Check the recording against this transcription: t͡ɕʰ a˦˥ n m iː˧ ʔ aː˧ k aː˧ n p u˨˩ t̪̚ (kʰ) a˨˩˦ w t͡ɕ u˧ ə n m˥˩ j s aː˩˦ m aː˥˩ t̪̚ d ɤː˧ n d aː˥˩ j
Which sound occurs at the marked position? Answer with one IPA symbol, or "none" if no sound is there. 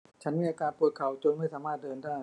kʰ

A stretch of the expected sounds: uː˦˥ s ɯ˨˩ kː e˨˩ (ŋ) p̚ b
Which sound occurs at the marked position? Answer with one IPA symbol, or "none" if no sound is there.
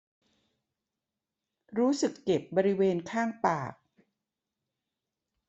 none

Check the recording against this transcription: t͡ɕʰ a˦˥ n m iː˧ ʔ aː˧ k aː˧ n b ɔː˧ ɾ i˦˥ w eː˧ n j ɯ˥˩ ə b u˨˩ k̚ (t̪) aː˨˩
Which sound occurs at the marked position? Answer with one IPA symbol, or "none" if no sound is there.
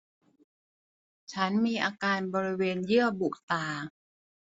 t̪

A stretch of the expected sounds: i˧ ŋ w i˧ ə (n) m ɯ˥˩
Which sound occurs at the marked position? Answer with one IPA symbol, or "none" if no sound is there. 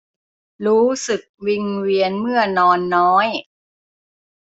n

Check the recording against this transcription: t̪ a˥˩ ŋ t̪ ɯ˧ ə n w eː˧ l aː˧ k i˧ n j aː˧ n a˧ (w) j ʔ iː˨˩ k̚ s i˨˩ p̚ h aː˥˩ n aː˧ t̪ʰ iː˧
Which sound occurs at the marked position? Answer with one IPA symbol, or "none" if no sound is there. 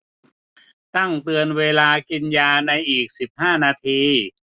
none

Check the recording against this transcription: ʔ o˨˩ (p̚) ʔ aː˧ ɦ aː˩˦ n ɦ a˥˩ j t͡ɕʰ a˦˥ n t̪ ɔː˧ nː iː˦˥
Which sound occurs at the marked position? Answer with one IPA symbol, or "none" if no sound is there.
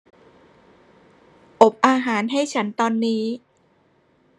p̚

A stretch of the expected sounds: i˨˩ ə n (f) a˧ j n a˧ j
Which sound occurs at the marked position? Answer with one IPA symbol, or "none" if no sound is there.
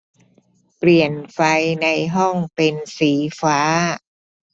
f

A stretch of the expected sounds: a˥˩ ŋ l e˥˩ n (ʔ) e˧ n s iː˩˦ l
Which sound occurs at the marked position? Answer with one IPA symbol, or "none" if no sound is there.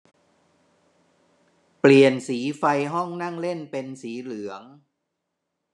p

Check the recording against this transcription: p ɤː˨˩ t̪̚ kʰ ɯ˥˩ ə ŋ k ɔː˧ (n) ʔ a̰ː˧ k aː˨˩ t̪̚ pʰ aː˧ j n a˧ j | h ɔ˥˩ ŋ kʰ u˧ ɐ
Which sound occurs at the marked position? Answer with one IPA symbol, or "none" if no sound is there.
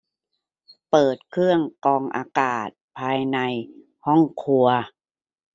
ŋ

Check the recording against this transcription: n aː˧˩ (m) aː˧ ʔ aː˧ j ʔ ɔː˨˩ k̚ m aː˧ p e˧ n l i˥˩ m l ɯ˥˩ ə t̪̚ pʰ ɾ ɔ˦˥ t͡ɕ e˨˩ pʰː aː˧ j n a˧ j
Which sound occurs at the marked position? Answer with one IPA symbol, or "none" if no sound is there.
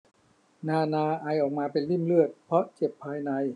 n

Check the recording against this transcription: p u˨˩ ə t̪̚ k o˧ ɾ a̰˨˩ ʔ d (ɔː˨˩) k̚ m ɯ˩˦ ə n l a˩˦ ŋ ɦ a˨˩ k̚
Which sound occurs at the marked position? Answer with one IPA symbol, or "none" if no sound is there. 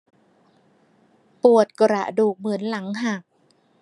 uː˨˩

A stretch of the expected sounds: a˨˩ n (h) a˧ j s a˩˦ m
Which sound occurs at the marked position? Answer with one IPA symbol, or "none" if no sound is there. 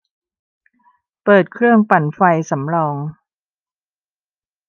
f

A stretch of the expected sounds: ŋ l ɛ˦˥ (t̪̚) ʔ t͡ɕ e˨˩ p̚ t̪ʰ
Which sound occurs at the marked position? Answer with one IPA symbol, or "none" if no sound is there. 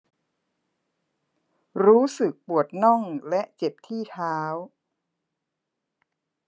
none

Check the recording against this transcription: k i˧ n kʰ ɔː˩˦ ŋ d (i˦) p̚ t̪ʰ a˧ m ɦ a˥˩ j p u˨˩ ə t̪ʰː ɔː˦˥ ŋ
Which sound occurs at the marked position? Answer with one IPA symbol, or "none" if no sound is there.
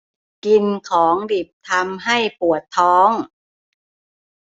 i˨˩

